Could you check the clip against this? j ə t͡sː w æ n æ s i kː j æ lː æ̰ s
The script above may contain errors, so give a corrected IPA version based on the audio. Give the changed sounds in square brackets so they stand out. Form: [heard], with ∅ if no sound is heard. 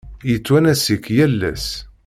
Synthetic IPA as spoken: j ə t͡sː w æ n æ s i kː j æ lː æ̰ s